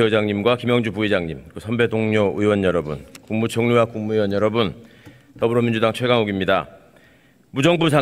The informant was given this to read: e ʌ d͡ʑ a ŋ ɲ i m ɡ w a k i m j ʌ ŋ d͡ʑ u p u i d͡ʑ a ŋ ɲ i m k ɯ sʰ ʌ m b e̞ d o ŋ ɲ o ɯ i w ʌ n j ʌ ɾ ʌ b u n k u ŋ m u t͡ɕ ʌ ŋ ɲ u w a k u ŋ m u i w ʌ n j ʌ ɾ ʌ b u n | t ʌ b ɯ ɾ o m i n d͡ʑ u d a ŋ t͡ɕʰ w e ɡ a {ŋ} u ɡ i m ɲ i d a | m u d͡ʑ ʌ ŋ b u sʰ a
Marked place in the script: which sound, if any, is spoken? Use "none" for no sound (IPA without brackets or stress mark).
ŋ